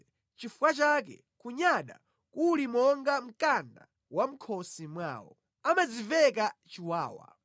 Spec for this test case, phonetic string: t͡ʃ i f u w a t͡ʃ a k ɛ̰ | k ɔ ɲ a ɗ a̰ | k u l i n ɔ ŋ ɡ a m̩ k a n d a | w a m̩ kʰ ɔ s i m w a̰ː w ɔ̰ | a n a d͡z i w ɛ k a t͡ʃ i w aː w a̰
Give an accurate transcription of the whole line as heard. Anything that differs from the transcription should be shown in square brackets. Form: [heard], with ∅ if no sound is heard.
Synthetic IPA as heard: t͡ʃ i f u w a t͡ʃ a k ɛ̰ | k [u] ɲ a ɗ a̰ | k u l i [m] ɔ ŋ ɡ a m̩ k a n d a | w a m̩ kʰ ɔ s i m w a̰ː w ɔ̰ | a [m] a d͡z i [v] ɛ k a t͡ʃ i w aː w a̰